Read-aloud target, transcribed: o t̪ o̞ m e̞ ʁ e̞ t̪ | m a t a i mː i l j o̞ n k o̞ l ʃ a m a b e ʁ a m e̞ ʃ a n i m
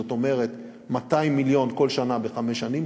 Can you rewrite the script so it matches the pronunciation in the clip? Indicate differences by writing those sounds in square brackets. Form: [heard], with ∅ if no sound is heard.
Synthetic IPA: o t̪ o̞ m e̞ ʁ e̞ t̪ | m a t a i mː i l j o̞ n k o̞ l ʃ a [n] a b e [χ] a m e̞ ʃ a n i m